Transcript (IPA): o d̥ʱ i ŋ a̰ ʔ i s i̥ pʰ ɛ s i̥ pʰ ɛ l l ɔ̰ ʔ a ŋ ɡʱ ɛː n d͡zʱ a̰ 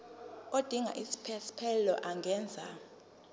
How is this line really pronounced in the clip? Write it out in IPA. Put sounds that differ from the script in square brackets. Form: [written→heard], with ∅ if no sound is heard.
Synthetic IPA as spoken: o d̥ʱ i ŋ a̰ ʔ i s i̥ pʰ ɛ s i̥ pʰ ɛ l l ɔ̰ ʔ a ŋ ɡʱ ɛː n d͡zʱ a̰